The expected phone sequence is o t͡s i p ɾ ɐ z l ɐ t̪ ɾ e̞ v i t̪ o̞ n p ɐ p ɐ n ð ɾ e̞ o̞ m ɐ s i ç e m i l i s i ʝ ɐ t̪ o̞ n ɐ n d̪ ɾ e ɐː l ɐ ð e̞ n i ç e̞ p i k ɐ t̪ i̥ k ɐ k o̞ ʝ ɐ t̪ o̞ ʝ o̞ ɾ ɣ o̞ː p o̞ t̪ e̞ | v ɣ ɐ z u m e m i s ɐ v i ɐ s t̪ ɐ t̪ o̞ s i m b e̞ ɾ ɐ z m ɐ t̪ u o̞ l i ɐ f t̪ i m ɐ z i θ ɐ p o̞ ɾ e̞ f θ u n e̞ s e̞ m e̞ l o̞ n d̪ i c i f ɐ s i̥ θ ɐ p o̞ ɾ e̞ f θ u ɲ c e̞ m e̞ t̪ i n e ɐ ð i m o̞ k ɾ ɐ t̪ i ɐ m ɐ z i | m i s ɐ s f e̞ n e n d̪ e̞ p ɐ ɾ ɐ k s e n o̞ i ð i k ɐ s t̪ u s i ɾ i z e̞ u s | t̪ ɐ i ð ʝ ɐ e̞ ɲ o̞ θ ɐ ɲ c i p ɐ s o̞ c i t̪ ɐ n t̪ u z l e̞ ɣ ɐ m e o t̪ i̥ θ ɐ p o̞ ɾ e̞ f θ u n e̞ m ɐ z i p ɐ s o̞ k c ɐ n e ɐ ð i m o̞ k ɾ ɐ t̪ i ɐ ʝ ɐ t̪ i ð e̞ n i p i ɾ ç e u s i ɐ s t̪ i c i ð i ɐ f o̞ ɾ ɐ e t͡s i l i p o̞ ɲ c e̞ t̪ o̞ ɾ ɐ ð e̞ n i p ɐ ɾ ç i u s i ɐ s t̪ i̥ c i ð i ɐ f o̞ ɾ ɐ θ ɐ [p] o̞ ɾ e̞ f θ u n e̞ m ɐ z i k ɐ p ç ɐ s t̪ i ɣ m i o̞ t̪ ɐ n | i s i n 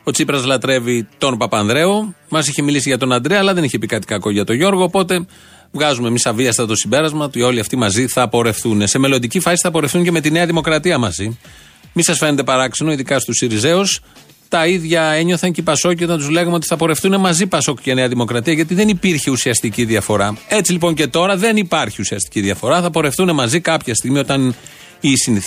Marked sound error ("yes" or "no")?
no